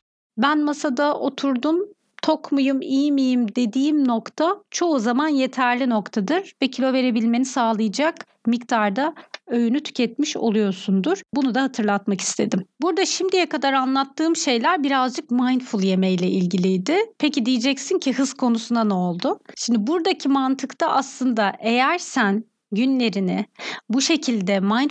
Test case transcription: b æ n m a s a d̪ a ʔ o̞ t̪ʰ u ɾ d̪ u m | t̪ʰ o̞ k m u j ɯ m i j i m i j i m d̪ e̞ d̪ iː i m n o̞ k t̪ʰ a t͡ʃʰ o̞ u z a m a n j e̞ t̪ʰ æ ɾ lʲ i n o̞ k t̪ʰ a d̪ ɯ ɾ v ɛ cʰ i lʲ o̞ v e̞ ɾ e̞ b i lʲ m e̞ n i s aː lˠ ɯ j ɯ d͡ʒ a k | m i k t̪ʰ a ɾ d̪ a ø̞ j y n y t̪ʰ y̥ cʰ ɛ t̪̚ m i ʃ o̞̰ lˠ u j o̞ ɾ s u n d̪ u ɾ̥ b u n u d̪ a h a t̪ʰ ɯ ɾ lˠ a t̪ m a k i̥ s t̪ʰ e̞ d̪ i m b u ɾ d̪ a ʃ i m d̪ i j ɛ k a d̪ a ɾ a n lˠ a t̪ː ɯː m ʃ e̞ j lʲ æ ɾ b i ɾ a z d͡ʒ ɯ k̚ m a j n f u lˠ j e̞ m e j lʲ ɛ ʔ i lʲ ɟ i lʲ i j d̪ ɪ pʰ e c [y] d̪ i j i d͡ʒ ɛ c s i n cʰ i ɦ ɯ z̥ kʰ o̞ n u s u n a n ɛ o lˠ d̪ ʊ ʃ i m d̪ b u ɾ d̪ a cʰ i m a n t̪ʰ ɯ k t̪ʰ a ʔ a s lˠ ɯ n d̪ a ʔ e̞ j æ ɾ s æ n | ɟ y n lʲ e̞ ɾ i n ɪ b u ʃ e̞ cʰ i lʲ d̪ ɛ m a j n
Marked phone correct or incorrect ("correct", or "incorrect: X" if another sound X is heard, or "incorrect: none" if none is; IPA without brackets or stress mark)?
incorrect: i